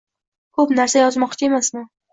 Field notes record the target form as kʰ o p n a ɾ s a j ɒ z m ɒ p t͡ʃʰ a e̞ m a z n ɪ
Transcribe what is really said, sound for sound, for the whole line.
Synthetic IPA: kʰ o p n a ɾ s a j ɒ z m ɒ q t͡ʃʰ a e̞ m a s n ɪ

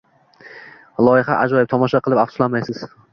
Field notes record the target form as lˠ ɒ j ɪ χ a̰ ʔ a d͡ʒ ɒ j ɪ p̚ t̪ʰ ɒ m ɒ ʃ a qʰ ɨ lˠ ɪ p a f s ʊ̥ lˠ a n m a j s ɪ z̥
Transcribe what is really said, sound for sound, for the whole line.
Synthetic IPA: lˠ ɒ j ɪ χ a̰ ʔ a d͡ʒ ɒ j ɪ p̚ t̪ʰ ɒ m ɒ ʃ a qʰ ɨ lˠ ɪ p a f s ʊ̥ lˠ a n m a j s ɪ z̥

